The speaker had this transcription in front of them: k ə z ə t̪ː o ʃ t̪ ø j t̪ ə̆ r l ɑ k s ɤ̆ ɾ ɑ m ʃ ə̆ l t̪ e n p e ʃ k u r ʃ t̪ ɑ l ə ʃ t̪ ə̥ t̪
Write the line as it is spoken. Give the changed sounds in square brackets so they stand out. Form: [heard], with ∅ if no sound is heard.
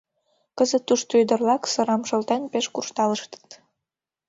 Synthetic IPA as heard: k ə z ə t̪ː [u] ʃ t̪ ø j [d̪] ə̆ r l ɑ k s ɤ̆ ɾ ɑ m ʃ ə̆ l t̪ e n p e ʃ k u r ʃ t̪ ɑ l ə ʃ t̪ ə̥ t̪